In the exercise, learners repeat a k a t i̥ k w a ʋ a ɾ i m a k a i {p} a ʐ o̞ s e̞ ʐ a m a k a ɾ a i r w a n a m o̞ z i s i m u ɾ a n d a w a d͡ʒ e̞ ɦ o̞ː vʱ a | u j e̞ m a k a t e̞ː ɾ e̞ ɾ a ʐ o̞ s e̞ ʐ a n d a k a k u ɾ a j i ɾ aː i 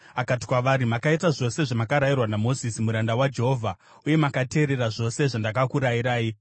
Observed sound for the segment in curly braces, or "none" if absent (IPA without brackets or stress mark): t